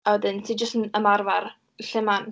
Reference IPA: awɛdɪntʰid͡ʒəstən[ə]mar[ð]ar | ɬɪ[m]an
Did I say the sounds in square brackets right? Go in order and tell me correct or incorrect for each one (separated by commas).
correct, incorrect, correct